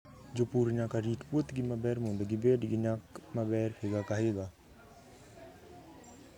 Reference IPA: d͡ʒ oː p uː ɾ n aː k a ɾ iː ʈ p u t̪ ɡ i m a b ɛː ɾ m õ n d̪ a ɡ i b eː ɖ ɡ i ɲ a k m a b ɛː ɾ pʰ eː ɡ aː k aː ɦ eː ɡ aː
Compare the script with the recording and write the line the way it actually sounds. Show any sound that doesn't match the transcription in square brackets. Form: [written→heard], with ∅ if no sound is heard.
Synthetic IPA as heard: d͡ʒ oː p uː ɾ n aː k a ɾ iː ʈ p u t̪ ɡ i m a b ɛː ɾ m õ n d̪ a ɡ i b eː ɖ ɡ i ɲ a k m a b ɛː ɾ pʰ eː ɡ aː k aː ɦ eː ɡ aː

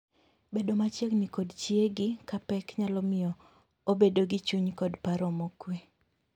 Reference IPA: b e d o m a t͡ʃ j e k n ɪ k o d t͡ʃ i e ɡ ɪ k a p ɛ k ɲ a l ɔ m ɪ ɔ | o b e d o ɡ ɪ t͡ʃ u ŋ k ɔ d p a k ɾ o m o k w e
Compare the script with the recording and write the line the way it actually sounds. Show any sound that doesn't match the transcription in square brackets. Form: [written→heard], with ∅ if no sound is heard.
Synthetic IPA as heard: b e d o m a t͡ʃ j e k n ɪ k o d t͡ʃ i e ɡ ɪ k a p ɛ k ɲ a l ɔ m ɪ ɔ | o b e d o ɡ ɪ t͡ʃ u [ŋ→ɲ] k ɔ d p a [k→∅] ɾ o m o k w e

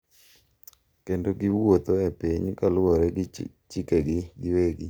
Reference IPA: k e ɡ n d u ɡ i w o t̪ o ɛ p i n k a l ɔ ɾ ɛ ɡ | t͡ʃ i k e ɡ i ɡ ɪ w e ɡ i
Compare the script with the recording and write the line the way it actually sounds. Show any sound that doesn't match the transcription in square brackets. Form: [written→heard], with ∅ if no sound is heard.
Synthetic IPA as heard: k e [ɡ→∅] n d [u→o] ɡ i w o t̪ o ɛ p i [n→ɲ] k a l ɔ ɾ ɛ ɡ | t͡ʃ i k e ɡ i ɡ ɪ w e ɡ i

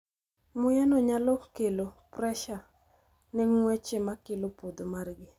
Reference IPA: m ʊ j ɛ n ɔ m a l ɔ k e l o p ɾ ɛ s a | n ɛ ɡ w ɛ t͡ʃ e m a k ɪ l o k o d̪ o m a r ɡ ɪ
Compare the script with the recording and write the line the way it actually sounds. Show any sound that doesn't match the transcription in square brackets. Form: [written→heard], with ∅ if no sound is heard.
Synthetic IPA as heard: m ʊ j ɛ n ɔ [m→ɲ] a l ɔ k e l o p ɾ ɛ [s→ʃ] a | n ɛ [ɡ→ŋ] w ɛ t͡ʃ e m a k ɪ l o [k→p] o d̪ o m a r ɡ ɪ

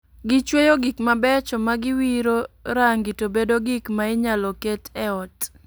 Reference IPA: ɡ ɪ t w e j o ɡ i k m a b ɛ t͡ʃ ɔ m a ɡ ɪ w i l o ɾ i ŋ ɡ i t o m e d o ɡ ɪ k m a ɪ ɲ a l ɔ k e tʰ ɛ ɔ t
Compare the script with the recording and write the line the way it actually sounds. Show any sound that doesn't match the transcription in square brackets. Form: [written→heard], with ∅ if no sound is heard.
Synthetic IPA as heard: ɡ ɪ [t→t͡ʃ] w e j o ɡ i k m a b ɛ t͡ʃ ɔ m a ɡ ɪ w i [l→ɾ] o ɾ [i→a] ŋ ɡ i t o [m→b] e d o ɡ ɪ k m a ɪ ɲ a l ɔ k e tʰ ɛ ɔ t

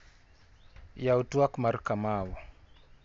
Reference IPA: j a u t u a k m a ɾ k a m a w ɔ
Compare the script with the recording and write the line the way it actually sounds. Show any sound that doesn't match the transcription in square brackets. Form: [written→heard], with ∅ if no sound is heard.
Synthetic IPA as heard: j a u t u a k m a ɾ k a m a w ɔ

